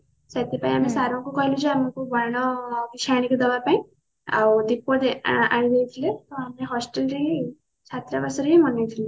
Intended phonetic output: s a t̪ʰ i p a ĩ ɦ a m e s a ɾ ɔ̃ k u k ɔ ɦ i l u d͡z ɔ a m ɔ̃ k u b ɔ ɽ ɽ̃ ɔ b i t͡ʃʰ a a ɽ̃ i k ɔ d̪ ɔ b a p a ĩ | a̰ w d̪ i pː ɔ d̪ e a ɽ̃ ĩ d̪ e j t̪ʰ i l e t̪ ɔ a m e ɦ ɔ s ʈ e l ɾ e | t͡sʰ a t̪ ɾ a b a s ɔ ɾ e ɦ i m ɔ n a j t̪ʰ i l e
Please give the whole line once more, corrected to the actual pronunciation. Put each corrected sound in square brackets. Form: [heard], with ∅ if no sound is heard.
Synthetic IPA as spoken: s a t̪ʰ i p a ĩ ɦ a m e s a ɾ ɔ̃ k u k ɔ ɦ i l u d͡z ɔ a m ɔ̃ k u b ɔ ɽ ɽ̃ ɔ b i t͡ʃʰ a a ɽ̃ i k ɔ d̪ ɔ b a p a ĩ | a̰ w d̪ i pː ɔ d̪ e a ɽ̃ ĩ d̪ e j t̪ʰ i l e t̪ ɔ a m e ɦ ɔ s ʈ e l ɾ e | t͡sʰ a t̪ ɾ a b a s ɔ ɾ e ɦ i m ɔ n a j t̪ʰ i l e

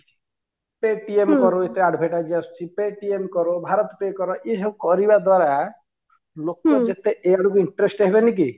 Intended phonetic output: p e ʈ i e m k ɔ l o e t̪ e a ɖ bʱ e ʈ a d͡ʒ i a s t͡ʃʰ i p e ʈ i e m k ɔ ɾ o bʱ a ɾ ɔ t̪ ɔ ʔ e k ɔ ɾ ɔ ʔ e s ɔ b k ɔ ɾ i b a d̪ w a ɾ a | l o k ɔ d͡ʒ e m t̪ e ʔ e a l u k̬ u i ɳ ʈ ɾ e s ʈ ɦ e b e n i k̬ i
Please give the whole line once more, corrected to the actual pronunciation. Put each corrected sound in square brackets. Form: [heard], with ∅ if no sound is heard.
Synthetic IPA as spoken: p e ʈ i e m k ɔ [ɾ] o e t̪ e a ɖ bʱ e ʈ a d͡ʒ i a s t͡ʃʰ i p e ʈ i e m k ɔ ɾ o bʱ a ɾ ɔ t̪ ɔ [p] e k ɔ ɾ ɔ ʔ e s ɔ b k ɔ ɾ i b a d̪ w a ɾ a | l o k ɔ d͡ʒ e [∅] t̪ e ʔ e a [ɽ] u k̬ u i ɳ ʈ ɾ e s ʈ ɦ e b e n i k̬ i

